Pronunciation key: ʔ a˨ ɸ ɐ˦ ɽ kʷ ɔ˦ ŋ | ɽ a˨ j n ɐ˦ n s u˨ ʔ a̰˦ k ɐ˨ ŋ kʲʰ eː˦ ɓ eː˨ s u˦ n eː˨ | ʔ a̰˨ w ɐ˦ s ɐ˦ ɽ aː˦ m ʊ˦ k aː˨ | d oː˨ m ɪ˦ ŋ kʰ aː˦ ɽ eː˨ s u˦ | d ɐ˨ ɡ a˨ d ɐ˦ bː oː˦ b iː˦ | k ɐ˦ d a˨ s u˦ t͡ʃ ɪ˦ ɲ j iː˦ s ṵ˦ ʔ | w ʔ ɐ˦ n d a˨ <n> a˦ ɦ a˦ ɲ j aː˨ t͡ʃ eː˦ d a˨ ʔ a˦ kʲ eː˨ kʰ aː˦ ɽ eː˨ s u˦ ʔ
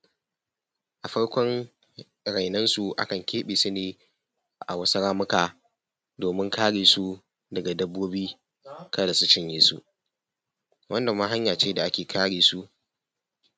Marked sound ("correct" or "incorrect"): incorrect